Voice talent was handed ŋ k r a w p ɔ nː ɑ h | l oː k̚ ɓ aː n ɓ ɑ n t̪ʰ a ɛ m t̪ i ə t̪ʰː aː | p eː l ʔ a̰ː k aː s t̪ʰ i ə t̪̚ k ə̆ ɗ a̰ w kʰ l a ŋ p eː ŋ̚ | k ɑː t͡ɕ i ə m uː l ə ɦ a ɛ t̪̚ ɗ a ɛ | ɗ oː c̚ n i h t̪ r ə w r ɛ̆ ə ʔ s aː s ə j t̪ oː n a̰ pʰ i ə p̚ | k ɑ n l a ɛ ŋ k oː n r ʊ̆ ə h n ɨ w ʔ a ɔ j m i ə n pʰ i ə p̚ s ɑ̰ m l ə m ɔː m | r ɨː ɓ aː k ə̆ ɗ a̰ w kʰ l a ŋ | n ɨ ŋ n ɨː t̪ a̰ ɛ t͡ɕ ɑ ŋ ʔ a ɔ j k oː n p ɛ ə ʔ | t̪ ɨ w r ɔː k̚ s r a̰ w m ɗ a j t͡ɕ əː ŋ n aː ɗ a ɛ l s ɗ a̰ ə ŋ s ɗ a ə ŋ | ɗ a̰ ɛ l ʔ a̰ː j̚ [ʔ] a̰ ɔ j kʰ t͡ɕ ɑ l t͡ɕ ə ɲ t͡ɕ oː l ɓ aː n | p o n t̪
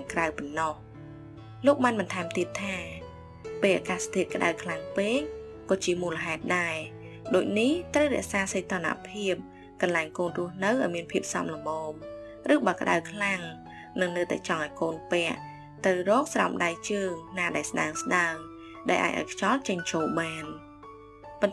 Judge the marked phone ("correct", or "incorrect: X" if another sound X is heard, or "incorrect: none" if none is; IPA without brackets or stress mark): correct